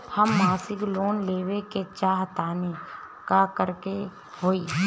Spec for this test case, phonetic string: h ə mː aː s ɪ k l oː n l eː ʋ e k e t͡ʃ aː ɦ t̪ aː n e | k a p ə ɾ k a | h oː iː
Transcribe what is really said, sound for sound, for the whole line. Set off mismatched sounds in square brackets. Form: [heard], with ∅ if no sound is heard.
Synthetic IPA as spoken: h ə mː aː s ɪ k l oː n l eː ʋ e k e t͡ʃ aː ɦ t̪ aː n e | k a [k] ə ɾ k [e] | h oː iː